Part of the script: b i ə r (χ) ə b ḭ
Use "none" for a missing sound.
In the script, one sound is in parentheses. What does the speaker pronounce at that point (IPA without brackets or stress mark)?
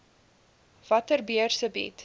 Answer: s